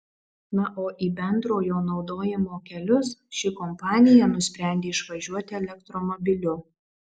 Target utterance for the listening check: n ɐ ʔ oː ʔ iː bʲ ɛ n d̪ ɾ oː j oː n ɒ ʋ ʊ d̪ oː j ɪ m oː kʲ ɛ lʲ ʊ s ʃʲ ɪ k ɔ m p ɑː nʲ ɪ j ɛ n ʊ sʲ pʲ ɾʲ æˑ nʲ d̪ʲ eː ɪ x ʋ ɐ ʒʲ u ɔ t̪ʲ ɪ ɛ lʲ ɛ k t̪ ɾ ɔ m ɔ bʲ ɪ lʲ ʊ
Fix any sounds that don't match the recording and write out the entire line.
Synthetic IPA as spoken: n ɐ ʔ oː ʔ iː bʲ ɛ n d̪ ɾ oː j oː n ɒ ʊ d̪ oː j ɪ m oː kʲ ɛ lʲ ʊ s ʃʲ ɪ k ɔ m p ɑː nʲ ɪ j ɛ n ʊ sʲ pʲ ɾʲ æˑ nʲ d̪ʲ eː ɪ ʃ ʋ ɐ ʒʲ u ɔ t̪ʲ ɪ ɛ lʲ ɛ k t̪ ɾ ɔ m ɔ bʲ ɪ lʲ ʊ